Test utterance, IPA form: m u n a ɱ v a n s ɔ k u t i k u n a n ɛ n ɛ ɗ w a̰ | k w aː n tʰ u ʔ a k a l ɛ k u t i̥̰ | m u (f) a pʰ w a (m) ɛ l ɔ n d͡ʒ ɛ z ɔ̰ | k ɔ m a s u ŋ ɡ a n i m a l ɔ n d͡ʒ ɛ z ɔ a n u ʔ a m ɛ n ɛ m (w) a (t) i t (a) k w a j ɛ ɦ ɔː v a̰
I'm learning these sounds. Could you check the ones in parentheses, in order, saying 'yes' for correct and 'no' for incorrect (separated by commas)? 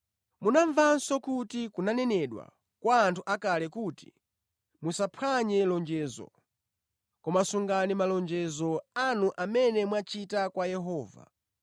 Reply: no, no, yes, no, yes